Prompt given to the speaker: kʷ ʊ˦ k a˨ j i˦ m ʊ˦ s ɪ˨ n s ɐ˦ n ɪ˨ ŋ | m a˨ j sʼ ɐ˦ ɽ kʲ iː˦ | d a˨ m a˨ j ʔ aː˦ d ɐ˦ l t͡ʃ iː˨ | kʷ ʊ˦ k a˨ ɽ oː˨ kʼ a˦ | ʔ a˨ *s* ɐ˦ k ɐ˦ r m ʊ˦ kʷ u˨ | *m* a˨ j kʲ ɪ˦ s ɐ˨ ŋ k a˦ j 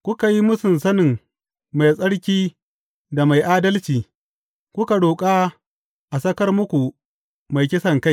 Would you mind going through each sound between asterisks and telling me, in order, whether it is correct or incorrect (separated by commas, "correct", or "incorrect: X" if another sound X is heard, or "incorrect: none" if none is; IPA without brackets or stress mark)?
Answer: correct, correct